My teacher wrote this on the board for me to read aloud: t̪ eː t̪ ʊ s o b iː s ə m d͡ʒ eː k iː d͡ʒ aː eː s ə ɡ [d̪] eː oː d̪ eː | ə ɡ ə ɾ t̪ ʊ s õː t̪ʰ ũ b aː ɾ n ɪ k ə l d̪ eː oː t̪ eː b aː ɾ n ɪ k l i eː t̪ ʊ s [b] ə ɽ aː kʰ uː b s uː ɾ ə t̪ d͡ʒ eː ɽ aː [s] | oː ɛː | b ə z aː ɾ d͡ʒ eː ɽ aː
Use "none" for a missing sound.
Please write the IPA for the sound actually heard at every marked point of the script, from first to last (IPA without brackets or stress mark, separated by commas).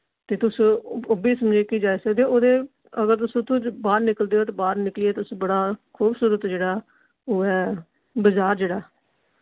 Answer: d̪, b, none